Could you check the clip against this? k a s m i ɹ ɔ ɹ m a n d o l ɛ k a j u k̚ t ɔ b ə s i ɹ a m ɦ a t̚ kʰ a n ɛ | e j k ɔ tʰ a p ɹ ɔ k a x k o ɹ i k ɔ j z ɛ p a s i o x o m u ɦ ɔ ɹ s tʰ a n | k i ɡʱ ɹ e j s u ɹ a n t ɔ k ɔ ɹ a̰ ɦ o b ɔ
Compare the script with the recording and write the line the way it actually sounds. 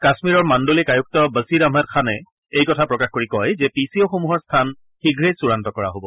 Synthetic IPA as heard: k a s m i ɹ ɔ ɹ m a n d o l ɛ k a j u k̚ t ɔ b ə s i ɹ a m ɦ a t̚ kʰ a n ɛ | e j k ɔ tʰ a p ɹ ɔ k a x k o ɹ i k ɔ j z ɛ p i s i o x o m u ɦ ɔ ɹ s tʰ a n | x i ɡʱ ɹ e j s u ɹ a n t ɔ k ɔ ɹ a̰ ɦ o b ɔ

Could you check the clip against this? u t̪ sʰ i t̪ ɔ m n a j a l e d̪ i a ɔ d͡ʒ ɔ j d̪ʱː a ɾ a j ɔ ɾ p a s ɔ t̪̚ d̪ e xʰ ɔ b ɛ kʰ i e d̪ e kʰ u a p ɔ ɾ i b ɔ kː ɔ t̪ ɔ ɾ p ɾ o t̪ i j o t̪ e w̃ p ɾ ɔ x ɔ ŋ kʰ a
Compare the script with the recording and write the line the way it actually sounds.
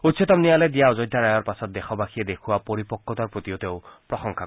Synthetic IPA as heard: u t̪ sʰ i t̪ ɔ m n i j a l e d̪ i a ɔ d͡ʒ ɔ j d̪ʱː a ɾ a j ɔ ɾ p a s ɔ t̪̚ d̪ e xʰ ɔ b a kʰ i e d̪ e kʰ u a p ɔ ɾ i p ɔ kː ɔ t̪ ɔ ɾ p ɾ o t̪ i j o t̪ e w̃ p ɾ ɔ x ɔ ŋ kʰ a

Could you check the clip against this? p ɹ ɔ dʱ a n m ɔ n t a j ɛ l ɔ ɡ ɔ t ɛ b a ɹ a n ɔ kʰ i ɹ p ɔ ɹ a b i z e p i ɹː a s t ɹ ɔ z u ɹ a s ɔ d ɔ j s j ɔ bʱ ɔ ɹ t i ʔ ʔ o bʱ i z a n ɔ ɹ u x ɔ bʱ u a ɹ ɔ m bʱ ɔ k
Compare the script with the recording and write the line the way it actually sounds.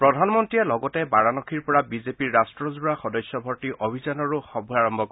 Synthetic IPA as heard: p ɹ ɔ dʱ a n m ɔ n t i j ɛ l ɔ ɡ ɔ t ɛ b a ɹ a n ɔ kʰ i ɹ p ɔ ɹ a b i z e p i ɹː a s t ɹ ɔ z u ɹ a x ɔ d ɔ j s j ɔ bʱ ɔ ɹ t i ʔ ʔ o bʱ i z a n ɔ ɹ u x ɔ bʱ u a ɹ ɔ m bʱ ɔ k

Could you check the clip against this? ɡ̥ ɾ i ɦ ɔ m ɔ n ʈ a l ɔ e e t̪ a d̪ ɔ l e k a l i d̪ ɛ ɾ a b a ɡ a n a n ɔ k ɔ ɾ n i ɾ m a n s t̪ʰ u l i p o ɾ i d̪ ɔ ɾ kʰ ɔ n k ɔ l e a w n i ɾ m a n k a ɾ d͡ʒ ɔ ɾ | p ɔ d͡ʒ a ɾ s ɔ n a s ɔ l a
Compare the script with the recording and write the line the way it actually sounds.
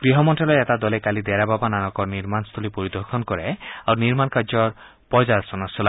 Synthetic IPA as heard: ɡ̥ ɾ i ɦ ɔ m ɔ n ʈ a l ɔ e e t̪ a d̪ ɔ l e k a l i d̪ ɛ ɾ a b a b a n a n ɔ k ɔ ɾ n i ɾ m a n s t̪ʰ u l i p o ɾ i d̪ ɔ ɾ kʰ ɔ n k ɔ ɾ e a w n i ɾ m a n k a ɾ d͡ʒ ɔ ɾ | p ɔ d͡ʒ a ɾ s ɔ n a s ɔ l a

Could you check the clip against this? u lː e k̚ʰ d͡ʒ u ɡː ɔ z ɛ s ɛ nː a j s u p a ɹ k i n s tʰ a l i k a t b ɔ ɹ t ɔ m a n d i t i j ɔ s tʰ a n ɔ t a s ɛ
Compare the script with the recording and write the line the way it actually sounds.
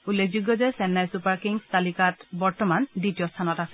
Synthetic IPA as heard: u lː e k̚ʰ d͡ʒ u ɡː ɔ z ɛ s ɛ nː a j s u p a ɹ k i ŋ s t a l i k a t b ɔ ɹ t ɔ m a n d i t i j ɔ s tʰ a n ɔ t a s ɛ

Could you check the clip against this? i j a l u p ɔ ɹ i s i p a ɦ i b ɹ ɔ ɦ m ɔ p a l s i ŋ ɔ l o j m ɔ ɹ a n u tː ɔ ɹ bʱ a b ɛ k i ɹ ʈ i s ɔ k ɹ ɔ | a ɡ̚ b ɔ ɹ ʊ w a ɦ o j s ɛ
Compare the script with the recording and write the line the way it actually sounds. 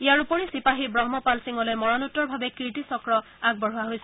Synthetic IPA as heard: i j a ɹ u p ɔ ɹ i s i p a ɦ i b ɹ ɔ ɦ m ɔ p a l s i ŋ ɔ l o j m ɔ ɹ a n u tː ɔ ɹ bʱ a b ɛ k i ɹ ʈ i s ɔ k ɹ ɔ | a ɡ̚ b ɔ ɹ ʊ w a ɦ o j s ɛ

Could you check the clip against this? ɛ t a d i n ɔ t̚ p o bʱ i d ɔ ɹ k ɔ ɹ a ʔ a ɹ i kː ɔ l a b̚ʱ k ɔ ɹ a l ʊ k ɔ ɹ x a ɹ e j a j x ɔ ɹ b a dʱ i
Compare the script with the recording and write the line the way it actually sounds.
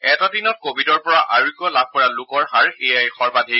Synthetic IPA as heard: ɛ t a d i n ɔ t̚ k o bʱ i d ɔ ɹ p ɔ ɹ a ʔ a ɹ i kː ɔ l a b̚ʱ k ɔ ɹ a l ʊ k ɔ ɹ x a ɹ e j a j x ɔ ɹ b a dʱ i

